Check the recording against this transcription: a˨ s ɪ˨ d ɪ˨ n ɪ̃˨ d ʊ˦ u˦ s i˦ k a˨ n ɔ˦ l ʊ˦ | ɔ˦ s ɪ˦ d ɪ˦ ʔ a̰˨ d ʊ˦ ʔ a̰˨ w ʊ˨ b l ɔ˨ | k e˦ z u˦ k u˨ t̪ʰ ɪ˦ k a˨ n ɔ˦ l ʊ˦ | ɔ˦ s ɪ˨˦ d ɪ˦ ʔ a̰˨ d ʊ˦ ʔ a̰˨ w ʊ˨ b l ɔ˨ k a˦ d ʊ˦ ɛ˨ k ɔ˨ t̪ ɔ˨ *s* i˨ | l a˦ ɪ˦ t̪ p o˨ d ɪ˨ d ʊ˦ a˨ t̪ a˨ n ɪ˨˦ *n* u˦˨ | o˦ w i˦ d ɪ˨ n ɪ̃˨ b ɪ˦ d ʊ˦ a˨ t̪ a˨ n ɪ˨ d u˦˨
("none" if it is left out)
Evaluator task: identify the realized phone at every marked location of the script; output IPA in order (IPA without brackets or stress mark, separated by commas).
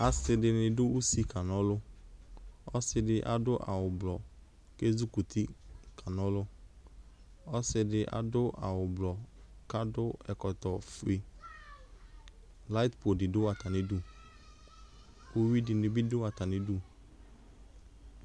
f, d